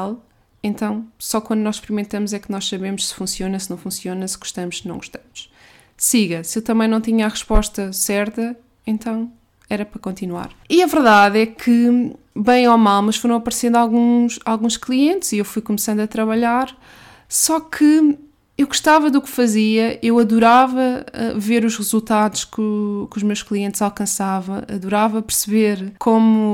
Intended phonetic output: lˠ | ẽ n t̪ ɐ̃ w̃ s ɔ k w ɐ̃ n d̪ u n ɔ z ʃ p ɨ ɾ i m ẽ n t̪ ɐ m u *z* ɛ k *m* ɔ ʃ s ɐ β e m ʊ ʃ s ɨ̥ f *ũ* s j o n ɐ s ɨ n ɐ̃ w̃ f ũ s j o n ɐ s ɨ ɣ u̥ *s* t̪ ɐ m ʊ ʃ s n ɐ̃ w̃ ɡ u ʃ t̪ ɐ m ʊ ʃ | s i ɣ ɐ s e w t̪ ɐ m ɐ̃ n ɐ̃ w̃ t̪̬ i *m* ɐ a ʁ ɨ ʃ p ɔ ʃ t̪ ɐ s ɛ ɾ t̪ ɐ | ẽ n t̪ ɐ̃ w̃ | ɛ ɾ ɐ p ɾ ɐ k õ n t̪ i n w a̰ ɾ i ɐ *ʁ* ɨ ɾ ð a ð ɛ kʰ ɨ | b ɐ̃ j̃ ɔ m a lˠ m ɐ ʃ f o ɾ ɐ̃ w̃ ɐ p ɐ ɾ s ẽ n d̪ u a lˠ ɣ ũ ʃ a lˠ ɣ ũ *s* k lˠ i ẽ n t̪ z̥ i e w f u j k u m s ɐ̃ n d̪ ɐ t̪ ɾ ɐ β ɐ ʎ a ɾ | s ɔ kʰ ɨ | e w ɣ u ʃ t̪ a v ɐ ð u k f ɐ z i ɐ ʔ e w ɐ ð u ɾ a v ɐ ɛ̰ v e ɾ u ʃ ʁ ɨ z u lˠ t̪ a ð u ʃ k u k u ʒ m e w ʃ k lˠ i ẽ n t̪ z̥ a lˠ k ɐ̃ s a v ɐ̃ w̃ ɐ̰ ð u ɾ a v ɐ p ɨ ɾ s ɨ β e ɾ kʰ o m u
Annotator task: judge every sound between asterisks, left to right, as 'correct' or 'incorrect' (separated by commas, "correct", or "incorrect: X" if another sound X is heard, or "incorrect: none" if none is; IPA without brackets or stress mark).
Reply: correct, incorrect: n, correct, incorrect: ʃ, incorrect: ɲ, incorrect: v, incorrect: ʃ